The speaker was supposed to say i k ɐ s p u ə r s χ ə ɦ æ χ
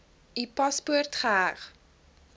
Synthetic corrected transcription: i p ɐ s p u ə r t χ ə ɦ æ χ